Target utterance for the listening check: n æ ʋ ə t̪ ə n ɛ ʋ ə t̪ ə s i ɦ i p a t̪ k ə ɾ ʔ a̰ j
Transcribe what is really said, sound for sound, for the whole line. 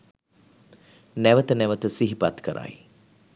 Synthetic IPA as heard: n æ ʋ ə t̪ ə n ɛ ʋ ə t̪ ə s i ɦ i p a t̪ k ə ɾ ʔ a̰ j